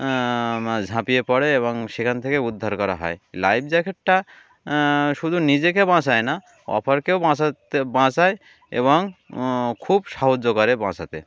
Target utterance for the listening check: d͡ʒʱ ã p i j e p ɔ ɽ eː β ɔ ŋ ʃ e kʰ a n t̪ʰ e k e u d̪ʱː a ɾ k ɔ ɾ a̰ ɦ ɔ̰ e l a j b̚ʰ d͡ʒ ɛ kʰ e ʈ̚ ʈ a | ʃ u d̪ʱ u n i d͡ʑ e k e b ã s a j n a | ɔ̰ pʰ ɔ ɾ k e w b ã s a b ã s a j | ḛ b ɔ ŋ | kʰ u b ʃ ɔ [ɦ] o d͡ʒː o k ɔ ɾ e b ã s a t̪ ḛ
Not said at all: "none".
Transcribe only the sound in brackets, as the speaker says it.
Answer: ɦ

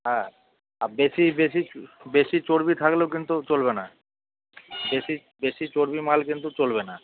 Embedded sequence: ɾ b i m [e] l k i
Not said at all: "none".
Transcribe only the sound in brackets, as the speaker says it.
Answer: a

